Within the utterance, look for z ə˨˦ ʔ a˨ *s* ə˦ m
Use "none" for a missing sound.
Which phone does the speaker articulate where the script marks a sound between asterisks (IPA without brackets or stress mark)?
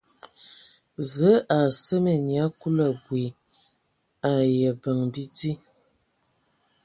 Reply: s